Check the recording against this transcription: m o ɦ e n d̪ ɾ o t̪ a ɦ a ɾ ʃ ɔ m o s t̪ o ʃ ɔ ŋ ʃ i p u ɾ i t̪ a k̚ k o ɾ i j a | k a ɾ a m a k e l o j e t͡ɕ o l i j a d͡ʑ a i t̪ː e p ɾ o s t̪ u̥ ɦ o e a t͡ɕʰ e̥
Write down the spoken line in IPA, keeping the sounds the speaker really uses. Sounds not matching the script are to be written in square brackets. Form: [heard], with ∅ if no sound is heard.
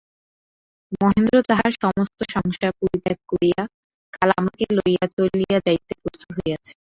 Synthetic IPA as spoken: m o ɦ e n d̪ ɾ o t̪ a ɦ a ɾ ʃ ɔ m o s t̪ o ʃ ɔ ŋ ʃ [a] p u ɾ i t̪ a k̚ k o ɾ i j a | k a [l] a m a k e l o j [a] t͡ɕ o l i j a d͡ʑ a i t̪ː e p ɾ o s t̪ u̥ ɦ o e a t͡ɕʰ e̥